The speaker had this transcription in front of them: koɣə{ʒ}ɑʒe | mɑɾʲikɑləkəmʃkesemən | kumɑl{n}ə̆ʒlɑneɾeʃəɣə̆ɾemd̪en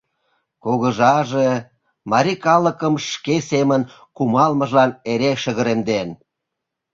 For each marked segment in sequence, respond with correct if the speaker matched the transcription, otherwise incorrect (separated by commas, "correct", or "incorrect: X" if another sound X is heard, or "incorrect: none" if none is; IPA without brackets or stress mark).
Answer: correct, incorrect: m